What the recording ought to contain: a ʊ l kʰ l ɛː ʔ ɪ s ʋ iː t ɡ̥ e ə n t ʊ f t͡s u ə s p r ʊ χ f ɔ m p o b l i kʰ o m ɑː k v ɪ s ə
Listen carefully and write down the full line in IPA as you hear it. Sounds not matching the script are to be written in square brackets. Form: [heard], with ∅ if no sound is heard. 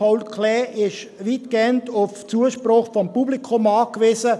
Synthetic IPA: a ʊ l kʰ l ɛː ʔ ɪ [ʃ] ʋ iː t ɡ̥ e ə n t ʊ f t͡s u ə [ʃ] p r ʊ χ f ɔ m p [u] b l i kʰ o m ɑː k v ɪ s ə